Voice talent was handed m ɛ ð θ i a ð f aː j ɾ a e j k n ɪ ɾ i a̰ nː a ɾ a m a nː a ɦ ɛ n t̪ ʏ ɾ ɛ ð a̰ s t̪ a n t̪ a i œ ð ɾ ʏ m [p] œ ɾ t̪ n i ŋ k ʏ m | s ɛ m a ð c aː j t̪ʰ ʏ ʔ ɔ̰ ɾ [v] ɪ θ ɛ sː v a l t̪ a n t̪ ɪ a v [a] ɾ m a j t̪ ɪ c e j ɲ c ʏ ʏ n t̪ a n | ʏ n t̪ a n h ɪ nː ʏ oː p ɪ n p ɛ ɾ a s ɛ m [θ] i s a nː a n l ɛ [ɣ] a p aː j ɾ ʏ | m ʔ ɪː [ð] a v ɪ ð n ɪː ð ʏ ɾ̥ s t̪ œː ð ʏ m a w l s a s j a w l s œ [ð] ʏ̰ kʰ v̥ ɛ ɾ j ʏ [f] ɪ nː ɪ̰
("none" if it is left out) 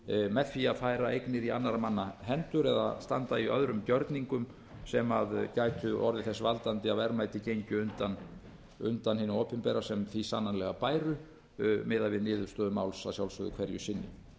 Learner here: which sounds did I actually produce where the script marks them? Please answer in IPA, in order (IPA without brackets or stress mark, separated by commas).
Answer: c, ð, ɛ, θ, ɣ, ð, ð, s